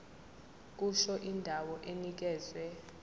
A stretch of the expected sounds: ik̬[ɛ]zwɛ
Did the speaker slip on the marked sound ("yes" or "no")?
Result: yes